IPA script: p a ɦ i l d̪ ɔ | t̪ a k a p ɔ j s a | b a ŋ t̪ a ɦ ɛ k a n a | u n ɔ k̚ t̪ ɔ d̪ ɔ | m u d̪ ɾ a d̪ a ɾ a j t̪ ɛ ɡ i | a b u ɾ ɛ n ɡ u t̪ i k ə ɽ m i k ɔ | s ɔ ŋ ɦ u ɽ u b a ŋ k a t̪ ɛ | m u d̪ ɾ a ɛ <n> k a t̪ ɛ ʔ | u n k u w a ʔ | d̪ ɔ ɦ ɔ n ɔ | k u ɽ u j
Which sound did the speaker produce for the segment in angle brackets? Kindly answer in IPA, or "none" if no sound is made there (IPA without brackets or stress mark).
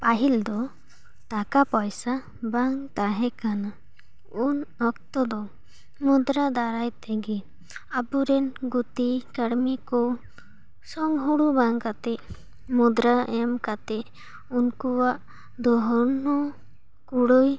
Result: m